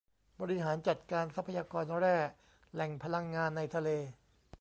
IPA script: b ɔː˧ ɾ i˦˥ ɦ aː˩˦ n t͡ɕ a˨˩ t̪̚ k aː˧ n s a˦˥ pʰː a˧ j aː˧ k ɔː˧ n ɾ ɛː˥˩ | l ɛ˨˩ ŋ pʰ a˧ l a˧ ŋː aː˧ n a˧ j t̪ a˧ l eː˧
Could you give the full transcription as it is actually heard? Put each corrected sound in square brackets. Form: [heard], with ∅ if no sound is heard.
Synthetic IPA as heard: b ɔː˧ ɾ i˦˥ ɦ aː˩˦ n t͡ɕ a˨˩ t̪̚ k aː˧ n s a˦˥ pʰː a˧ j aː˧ k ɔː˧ n ɾ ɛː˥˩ | l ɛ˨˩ ŋ pʰ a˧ l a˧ ŋː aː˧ [nː] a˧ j [t̪ʰ] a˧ l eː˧